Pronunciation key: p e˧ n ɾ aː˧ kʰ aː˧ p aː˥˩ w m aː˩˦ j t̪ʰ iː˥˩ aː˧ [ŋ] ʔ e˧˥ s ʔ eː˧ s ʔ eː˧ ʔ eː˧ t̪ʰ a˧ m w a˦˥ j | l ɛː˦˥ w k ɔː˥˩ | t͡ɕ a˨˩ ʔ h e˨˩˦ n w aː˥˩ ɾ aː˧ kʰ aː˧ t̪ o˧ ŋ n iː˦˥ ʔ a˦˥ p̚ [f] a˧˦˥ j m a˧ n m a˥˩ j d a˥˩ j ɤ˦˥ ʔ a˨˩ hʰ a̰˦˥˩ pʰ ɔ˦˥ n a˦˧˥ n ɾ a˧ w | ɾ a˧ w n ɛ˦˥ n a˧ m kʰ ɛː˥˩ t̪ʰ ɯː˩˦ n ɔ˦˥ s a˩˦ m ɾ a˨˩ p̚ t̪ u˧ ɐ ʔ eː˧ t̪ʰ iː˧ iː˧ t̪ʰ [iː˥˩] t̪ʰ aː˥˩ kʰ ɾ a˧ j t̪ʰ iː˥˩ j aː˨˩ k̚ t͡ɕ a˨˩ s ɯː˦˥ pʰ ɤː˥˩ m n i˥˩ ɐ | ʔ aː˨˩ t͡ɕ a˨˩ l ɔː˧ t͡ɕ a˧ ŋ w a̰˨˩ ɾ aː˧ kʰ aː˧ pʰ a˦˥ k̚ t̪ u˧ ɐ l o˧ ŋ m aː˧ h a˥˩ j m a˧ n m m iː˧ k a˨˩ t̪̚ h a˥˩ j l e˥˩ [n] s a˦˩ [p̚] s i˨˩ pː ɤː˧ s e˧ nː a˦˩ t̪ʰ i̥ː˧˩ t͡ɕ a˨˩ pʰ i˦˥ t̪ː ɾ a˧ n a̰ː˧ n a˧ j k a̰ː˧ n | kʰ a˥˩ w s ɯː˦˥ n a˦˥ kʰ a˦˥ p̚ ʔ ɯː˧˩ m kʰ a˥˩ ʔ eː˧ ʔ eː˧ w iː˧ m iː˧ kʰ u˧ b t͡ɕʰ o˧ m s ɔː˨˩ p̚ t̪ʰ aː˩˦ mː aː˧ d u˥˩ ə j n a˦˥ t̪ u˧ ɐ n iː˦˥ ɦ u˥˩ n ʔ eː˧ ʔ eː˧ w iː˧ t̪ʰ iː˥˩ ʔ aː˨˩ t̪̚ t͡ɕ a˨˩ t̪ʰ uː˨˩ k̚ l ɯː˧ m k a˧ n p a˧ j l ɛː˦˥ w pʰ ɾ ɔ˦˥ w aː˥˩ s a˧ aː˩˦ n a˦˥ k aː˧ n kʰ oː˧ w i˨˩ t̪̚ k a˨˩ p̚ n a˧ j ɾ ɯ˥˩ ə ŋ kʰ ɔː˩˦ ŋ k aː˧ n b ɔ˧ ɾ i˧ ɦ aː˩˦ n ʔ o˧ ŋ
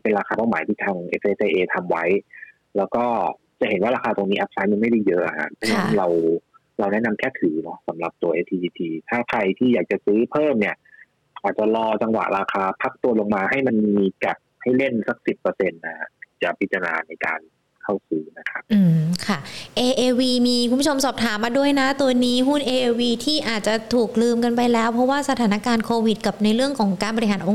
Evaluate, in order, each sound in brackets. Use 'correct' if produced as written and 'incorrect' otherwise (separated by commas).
correct, incorrect, incorrect, correct, incorrect